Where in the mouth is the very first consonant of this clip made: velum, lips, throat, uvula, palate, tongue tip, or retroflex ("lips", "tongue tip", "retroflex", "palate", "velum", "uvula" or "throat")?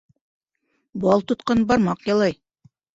lips